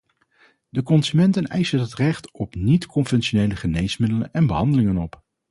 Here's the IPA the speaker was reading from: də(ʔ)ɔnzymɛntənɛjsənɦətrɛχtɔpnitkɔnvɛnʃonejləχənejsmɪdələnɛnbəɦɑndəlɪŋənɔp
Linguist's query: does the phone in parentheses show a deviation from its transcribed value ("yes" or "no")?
yes